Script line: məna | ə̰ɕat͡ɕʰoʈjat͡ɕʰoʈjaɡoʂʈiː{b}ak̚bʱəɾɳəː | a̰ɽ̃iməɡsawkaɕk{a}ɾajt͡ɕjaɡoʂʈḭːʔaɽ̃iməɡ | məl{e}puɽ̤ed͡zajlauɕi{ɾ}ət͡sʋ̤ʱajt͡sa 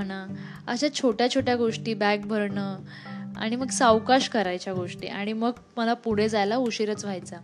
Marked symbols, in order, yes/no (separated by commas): yes, no, no, yes